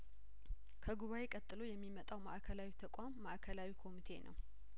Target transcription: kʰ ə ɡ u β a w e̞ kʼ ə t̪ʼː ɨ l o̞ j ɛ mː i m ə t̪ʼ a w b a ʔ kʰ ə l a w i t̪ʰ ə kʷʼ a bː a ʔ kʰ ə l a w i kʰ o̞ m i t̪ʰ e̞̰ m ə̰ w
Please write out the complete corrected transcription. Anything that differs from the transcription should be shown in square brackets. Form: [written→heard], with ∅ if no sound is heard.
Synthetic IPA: kʰ ə ɡ u β a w e̞ kʼ ə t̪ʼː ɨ l o̞ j ɛ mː i m ə t̪ʼ a w [b→m] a ʔ kʰ ə l a w i t̪ʰ ə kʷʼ a [bː→mː] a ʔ kʰ ə l a w i kʰ o̞ m i t̪ʰ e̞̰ [m→n] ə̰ w